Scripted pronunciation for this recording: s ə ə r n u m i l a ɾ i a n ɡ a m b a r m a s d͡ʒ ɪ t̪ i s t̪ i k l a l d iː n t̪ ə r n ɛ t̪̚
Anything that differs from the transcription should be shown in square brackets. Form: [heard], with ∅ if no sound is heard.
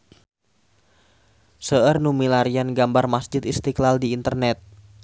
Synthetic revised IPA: s ə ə r n u m i l a ɾ i a n ɡ a m b a r m a s d͡ʒ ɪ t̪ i s t̪ i k l a l d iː n t̪ ə r n ɛ t̪̚